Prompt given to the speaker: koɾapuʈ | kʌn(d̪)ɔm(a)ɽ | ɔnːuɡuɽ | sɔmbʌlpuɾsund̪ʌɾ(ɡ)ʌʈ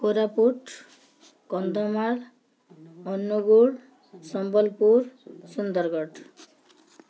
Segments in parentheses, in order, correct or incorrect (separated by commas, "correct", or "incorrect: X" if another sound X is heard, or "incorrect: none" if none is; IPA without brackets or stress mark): correct, correct, correct